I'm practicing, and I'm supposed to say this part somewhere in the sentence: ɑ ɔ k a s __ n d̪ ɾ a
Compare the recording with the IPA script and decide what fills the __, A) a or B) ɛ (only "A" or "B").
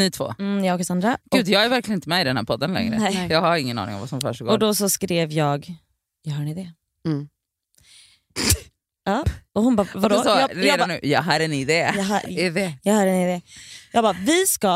A